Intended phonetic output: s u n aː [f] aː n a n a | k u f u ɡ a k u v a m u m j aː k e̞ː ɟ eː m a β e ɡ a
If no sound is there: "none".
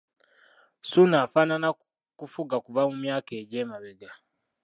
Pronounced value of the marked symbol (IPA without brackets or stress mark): f